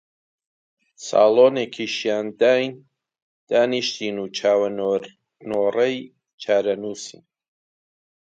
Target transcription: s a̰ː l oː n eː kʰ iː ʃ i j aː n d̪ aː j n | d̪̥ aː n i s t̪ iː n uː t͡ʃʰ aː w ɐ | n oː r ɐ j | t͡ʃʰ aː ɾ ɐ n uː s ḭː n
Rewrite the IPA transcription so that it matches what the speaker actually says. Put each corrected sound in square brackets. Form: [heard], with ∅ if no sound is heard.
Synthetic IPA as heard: s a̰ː l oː n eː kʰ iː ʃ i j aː n d̪ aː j n | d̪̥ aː n i [ʃ] t̪ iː n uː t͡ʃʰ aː w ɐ | n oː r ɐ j | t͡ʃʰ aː ɾ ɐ n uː s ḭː n